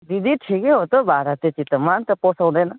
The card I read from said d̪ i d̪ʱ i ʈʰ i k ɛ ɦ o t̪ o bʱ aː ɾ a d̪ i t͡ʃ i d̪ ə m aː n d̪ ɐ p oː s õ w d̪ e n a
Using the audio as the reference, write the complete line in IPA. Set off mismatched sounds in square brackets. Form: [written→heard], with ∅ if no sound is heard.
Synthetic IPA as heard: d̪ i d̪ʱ i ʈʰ i k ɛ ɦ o t̪ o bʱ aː ɾ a [d̪→t̪] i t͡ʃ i [d̪→t̪] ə m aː n [d̪→t̪] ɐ p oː s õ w d̪ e n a